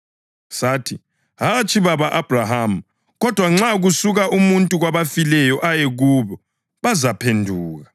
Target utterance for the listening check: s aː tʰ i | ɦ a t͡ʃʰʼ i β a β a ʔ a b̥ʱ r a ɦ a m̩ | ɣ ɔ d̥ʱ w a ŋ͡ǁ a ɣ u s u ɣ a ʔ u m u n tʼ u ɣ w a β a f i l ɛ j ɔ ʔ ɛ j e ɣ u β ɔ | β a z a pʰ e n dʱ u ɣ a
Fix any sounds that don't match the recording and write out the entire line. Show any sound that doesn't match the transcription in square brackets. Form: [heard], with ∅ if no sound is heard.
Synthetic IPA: s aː tʰ i | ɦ a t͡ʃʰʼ i β a β a ʔ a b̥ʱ r a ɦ a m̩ | ɣ ɔ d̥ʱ w a ŋ͡ǁ a ɣ u s u ɣ a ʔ u m u n tʼ u ɣ w a β a f i l ɛ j ɔ ʔ [a] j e ɣ u β ɔ | β a z a pʰ e n dʱ [uː] ɣ a